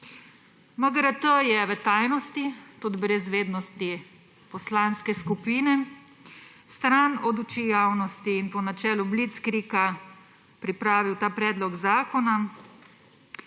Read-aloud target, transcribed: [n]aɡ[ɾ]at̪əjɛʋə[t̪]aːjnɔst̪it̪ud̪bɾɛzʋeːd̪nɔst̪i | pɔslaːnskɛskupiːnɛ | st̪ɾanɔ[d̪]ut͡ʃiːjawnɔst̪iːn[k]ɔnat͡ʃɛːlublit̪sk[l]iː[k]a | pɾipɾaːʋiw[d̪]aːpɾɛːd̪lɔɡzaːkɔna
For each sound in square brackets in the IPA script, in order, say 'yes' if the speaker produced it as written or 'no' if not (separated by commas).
no, yes, yes, yes, no, no, yes, no